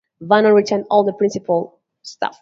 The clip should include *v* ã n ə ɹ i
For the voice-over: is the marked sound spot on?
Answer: yes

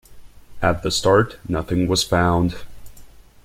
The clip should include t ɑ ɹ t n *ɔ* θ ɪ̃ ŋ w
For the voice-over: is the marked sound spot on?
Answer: no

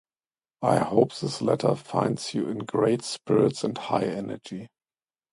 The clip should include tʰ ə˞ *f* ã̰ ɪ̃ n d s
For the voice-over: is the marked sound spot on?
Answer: yes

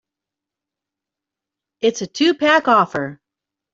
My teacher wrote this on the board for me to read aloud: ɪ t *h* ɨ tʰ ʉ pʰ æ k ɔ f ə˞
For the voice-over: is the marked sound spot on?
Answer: no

